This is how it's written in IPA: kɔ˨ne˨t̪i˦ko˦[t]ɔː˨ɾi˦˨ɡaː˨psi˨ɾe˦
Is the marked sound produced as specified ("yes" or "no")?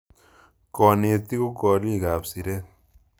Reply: no